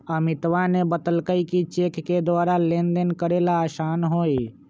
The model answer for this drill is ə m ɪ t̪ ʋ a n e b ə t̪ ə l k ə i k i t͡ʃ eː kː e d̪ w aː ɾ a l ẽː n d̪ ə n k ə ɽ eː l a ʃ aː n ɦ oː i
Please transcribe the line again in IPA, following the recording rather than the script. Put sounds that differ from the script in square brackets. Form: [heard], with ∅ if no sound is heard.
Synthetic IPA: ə m ɪ t̪ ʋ a n e b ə t̪ ə l k ə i k i t͡ʃ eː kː e d̪ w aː ɾ a l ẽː n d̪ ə n k ə [ɾ] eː l a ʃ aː n ɦ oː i